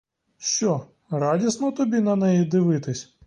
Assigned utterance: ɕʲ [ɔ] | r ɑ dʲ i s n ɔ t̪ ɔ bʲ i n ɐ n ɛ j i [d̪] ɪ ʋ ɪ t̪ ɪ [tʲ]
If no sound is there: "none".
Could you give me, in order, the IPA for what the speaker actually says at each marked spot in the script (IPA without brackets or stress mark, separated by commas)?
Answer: ɔ, d̪, sʲ